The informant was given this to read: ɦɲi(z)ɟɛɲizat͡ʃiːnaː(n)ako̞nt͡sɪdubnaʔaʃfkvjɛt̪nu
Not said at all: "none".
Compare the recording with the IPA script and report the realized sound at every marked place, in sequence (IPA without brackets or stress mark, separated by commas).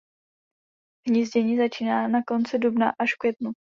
z, n